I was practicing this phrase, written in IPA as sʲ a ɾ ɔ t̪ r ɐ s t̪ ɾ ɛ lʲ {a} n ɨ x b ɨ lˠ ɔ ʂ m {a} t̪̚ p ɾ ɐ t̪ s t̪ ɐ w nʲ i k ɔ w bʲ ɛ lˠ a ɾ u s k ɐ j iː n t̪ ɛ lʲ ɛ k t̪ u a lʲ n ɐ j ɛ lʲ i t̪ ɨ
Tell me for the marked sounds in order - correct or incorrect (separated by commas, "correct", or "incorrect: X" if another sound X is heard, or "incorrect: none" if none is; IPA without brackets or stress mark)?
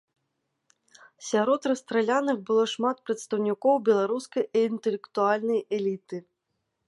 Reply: correct, correct